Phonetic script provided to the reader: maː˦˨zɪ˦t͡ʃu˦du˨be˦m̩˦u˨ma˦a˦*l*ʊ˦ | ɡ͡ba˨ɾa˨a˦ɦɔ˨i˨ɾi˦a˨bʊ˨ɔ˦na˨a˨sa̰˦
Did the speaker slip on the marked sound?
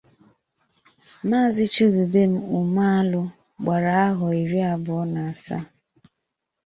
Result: no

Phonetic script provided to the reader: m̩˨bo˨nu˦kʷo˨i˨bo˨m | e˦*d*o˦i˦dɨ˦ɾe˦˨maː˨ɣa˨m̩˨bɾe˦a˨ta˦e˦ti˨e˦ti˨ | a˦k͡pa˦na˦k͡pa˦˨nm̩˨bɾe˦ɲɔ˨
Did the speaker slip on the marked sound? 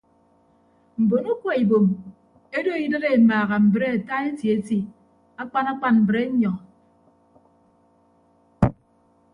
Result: no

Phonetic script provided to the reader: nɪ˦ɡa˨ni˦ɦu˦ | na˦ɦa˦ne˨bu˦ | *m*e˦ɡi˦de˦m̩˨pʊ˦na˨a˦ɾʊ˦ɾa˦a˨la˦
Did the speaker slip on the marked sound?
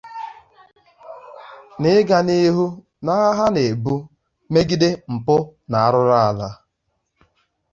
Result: no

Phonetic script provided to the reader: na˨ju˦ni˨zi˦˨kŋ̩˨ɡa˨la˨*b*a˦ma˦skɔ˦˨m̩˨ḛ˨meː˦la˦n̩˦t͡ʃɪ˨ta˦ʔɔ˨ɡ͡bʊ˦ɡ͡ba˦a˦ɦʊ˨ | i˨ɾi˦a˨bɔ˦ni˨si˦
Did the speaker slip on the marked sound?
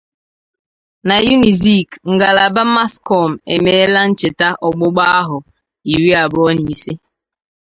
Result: no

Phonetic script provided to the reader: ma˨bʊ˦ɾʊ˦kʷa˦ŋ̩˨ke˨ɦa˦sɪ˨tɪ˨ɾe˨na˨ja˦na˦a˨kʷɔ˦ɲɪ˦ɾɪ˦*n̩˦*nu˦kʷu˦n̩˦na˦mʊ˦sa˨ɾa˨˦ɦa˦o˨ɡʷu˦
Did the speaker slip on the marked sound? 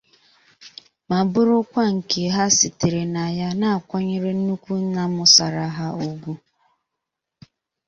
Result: no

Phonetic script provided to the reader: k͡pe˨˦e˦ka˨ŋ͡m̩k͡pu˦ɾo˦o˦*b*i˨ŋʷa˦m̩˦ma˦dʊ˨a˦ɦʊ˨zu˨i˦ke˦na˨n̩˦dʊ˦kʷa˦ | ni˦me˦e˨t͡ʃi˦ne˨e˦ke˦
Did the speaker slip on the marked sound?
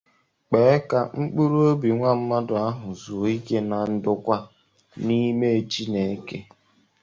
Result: no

